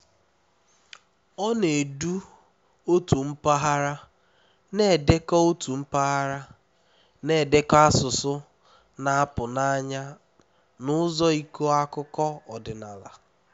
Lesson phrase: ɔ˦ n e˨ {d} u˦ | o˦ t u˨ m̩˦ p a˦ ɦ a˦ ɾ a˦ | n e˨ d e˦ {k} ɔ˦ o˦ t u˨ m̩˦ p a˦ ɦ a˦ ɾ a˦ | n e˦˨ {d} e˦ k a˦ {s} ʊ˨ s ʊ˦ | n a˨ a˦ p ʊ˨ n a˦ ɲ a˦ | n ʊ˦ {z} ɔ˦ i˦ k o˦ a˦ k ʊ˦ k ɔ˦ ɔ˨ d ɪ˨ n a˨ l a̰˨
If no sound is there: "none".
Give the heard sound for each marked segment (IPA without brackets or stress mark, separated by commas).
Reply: d, k, d, s, z